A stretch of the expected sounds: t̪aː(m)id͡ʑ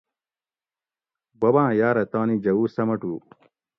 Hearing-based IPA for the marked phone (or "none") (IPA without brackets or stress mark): n